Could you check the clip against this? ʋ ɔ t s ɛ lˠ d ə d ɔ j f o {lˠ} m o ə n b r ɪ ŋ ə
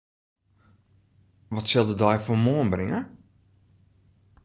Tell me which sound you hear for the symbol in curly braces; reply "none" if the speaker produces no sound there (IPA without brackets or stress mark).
none